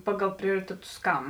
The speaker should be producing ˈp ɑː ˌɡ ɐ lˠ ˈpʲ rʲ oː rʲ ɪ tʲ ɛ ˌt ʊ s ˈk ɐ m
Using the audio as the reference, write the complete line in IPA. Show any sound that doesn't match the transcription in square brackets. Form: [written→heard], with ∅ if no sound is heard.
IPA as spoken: ˈp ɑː ˌɡ ɐ lˠ ˈpʲ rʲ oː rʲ ɪ tʲ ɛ ˌt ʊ s ˈk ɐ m

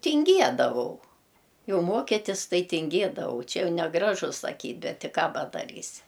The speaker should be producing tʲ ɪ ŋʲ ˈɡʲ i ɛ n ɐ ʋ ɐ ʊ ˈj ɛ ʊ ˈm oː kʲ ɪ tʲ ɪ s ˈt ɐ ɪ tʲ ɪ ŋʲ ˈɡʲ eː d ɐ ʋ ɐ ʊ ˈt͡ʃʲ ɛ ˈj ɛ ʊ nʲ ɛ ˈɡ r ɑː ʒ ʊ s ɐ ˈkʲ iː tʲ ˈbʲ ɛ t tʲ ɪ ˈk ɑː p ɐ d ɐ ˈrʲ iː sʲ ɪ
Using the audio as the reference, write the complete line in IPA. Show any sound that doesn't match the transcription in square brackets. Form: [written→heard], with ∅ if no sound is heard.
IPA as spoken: tʲ ɪ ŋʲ ˈɡʲ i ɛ [n→d] ɐ ʋ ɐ ʊ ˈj ɛ ʊ ˈm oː kʲ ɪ tʲ ɪ s ˈt ɐ ɪ tʲ ɪ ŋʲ ˈɡʲ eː d ɐ ʋ ɐ ʊ ˈt͡ʃʲ ɛ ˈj ɛ ʊ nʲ ɛ ˈɡ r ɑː ʒ ʊ s ɐ ˈkʲ iː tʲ ˈbʲ ɛ t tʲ ɪ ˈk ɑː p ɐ d ɐ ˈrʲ iː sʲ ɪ

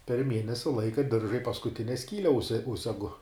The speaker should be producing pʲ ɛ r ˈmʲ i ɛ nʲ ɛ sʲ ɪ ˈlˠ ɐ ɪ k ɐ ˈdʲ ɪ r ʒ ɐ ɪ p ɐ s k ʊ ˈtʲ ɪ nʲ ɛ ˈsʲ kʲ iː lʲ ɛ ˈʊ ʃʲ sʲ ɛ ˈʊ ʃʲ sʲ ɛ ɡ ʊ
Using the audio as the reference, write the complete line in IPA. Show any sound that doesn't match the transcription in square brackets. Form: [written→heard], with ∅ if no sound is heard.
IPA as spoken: pʲ ɛ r ˈmʲ i ɛ nʲ ɛ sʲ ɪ ˈlˠ ɐ ɪ k ɐ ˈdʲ ɪ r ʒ ɐ ɪ p ɐ s k ʊ ˈtʲ ɪ nʲ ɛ ˈsʲ kʲ iː lʲ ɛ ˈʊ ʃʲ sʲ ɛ ˈʊ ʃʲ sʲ ɛ ɡ ʊ

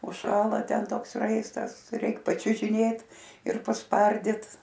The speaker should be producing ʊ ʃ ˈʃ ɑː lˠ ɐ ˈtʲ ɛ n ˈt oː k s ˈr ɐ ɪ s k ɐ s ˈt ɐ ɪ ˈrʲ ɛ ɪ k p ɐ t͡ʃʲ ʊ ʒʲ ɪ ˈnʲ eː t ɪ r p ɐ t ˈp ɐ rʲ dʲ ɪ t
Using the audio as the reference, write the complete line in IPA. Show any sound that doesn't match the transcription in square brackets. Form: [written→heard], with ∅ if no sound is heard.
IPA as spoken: ʊ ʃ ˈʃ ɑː lˠ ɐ ˈtʲ ɛ n ˈt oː k s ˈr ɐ ɪ s [k→t] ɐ s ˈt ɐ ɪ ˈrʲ ɛ ɪ k p ɐ t͡ʃʲ ʊ ʒʲ ɪ ˈnʲ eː t ɪ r p ɐ [t→s] ˈp ɐ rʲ dʲ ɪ t

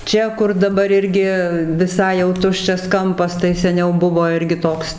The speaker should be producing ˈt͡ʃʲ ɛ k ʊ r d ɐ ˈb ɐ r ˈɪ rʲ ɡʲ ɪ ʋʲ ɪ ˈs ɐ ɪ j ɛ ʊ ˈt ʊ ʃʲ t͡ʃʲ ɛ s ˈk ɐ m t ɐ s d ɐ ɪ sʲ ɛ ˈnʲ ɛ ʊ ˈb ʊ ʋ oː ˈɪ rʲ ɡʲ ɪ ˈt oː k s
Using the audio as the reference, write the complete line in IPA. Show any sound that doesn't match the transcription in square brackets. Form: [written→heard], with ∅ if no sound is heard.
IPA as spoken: ˈt͡ʃʲ ɛ k ʊ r d ɐ ˈb ɐ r ˈɪ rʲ ɡʲ ɪ ʋʲ ɪ ˈs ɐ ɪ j ɛ ʊ ˈt ʊ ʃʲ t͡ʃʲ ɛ s ˈk ɐ m [t→p] ɐ s [d→t] ɐ ɪ sʲ ɛ ˈnʲ ɛ ʊ ˈb ʊ ʋ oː ˈɪ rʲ ɡʲ ɪ ˈt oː k s

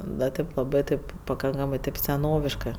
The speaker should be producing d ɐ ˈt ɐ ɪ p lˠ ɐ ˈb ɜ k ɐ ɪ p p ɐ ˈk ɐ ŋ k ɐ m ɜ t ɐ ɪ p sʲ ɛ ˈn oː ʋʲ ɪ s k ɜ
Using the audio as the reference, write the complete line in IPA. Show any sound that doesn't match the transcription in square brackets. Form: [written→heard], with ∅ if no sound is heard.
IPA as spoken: d ɐ ˈt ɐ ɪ p lˠ ɐ ˈb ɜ [k→t] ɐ ɪ p p ɐ ˈk ɐ ŋ k ɐ m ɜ t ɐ ɪ p sʲ ɛ ˈn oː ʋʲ ɪ [s→ʃ] k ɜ

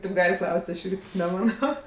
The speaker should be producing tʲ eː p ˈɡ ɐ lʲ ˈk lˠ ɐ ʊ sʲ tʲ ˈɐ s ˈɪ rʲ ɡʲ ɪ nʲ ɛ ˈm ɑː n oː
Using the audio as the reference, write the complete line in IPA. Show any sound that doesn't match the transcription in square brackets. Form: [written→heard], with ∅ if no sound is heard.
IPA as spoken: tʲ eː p ˈɡ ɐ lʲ ˈk lˠ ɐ ʊ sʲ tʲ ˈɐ [s→ʃ] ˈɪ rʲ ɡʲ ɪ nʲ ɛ ˈm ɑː n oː

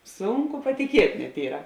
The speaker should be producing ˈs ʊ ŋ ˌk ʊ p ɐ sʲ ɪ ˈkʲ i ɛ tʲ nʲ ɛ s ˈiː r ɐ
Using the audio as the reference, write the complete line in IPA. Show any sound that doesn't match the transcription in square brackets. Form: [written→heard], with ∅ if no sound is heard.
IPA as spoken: ˈs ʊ ŋ ˌk ʊ p ɐ [sʲ→tʲ] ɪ ˈkʲ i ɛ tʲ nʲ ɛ [s→t] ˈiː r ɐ

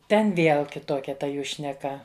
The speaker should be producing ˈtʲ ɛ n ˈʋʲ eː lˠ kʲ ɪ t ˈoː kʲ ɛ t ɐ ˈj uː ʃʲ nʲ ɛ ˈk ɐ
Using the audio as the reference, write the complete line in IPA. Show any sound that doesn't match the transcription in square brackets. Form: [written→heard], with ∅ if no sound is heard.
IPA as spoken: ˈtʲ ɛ n ˈʋʲ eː lˠ kʲ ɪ t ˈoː kʲ ɛ t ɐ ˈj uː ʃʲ nʲ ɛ ˈk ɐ

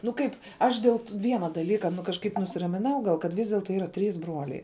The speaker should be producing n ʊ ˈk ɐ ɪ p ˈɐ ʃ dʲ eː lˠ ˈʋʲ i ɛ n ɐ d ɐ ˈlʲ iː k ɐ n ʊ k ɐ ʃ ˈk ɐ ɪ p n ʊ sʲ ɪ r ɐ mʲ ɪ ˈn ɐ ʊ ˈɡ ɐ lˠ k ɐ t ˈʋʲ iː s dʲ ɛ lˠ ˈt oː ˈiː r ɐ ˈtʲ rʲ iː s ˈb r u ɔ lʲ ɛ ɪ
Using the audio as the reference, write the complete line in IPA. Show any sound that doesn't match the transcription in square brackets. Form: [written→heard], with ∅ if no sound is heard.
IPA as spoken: n ʊ ˈk ɐ ɪ p ˈɐ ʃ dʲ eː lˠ ˈʋʲ i ɛ n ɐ d ɐ ˈlʲ iː k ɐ n ʊ k ɐ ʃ ˈk ɐ ɪ p n ʊ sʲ ɪ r ɐ mʲ ɪ ˈn ɐ ʊ ˈɡ ɐ lˠ k ɐ t ˈʋʲ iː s dʲ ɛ lˠ ˈt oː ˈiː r ɐ ˈtʲ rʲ iː s ˈb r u ɔ lʲ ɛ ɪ

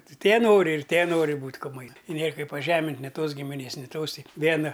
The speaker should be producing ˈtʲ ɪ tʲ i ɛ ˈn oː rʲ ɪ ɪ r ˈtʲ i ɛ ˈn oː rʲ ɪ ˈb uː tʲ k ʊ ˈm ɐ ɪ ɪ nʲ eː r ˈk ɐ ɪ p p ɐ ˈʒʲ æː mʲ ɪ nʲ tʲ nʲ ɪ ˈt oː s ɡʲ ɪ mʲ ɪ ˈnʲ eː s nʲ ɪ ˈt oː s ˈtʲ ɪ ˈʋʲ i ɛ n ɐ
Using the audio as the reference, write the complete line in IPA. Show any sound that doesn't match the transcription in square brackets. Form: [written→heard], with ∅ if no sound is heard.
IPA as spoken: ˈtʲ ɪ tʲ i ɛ ˈn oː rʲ ɪ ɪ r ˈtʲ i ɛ ˈn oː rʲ ɪ ˈb uː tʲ k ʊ ˈm ɐ ɪ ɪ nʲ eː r ˈk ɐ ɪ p p ɐ ˈʒʲ æː mʲ ɪ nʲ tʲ nʲ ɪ ˈt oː s ɡʲ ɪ mʲ ɪ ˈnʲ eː s nʲ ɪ ˈt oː s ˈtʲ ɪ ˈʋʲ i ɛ n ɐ

